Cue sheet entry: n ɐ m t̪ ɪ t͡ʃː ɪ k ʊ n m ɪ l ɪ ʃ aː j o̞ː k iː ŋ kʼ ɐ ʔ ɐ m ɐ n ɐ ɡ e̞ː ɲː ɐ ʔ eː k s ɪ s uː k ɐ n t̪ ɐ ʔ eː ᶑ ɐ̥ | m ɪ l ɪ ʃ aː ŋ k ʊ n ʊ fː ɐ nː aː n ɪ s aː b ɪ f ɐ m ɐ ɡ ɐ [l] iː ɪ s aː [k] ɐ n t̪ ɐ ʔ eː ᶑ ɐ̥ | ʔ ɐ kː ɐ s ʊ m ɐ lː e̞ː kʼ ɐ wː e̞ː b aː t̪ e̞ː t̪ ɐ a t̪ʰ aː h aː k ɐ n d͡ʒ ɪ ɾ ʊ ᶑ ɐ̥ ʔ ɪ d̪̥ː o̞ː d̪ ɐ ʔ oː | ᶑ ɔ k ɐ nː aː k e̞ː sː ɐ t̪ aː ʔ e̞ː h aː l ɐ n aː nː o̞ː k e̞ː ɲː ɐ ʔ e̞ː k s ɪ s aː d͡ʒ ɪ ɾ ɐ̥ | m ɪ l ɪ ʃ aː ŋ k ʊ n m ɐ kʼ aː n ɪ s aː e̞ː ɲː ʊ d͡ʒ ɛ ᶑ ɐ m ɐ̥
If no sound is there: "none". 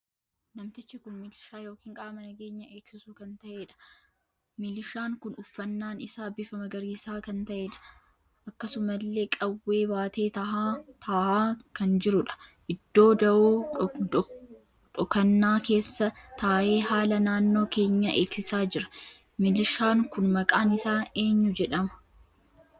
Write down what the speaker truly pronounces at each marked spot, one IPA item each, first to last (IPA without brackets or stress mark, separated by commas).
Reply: ɾ, k